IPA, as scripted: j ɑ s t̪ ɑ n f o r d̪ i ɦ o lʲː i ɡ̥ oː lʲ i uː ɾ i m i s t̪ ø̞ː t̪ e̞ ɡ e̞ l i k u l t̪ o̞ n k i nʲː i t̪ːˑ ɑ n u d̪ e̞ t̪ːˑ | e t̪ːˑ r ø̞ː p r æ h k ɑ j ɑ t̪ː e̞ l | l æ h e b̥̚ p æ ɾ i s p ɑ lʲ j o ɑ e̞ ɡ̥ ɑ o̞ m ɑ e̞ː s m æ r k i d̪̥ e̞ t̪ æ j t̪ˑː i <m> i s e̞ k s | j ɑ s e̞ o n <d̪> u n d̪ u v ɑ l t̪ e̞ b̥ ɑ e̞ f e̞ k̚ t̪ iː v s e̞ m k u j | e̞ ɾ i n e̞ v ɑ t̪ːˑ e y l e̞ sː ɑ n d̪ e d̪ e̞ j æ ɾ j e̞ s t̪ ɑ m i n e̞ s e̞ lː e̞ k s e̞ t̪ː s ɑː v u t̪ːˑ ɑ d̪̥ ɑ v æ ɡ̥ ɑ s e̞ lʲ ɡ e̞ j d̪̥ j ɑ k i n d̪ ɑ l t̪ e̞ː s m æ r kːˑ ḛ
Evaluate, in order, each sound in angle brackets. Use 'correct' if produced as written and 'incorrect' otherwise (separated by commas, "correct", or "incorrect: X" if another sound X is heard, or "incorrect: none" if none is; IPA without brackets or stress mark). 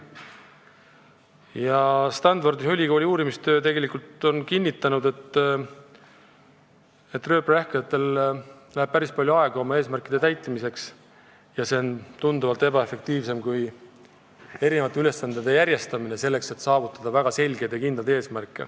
correct, incorrect: t̪